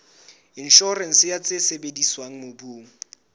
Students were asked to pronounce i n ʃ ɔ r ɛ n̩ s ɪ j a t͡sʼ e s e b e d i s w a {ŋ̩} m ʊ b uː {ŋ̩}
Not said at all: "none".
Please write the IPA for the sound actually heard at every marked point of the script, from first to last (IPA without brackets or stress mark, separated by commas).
ŋ̩, ŋ̩